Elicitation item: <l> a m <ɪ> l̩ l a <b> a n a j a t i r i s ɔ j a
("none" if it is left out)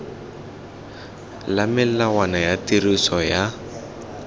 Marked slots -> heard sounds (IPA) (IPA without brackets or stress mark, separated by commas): l, ɪ, w